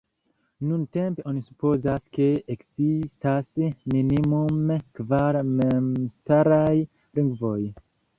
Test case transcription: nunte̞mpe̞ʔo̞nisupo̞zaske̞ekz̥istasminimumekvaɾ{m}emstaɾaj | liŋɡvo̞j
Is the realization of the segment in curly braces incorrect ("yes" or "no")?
no